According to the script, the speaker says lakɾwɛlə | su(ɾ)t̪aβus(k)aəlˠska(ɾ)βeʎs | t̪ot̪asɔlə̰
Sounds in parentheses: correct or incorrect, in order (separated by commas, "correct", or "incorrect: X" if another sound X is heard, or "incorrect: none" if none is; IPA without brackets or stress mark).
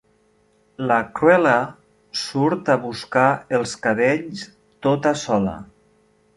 correct, correct, incorrect: none